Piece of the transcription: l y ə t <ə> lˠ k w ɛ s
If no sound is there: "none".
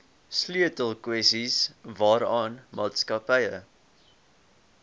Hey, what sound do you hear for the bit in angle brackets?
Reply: ə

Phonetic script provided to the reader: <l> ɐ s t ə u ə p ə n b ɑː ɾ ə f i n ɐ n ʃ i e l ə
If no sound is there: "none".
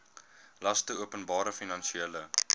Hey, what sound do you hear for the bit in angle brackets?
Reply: l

